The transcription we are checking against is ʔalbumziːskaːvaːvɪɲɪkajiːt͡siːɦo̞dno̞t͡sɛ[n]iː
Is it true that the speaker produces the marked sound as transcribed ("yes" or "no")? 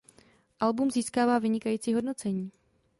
no